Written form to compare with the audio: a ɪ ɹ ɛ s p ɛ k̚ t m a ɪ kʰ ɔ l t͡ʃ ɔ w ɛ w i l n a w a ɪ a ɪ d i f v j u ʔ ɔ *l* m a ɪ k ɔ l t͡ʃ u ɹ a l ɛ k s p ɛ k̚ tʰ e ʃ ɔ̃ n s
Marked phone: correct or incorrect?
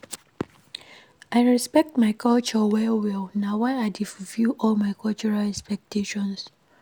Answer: correct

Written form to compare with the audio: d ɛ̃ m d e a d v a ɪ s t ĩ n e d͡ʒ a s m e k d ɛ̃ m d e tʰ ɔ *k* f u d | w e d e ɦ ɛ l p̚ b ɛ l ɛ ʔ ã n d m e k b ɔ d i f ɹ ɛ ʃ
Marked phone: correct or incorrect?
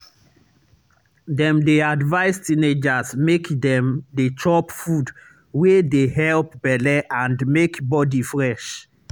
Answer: incorrect: p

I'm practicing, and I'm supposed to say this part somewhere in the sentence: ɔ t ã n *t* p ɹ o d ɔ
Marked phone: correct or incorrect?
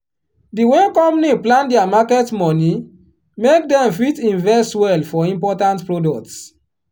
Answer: correct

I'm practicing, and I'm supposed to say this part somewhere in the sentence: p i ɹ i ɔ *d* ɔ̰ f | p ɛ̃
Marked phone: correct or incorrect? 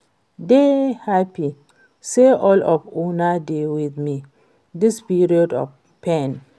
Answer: correct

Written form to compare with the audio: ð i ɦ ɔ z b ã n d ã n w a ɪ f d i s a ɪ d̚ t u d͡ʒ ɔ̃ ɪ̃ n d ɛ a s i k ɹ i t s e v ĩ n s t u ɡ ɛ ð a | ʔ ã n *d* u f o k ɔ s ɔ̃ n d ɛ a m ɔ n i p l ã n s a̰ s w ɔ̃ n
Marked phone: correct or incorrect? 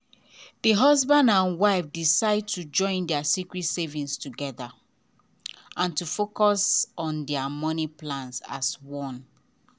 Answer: incorrect: t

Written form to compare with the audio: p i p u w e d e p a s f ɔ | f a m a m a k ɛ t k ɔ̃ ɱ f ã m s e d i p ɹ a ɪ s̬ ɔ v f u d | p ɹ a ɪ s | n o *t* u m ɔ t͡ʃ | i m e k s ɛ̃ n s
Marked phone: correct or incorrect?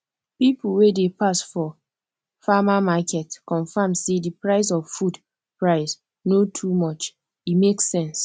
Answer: incorrect: tʰ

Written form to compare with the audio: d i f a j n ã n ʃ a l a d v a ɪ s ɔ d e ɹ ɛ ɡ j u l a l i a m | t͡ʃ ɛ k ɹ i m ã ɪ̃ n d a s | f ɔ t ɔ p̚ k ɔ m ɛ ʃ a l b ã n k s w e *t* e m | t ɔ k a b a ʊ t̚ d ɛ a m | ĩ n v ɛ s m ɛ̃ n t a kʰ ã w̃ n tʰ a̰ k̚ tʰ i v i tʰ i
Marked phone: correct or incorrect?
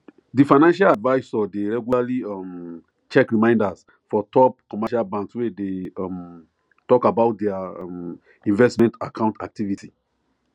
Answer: incorrect: d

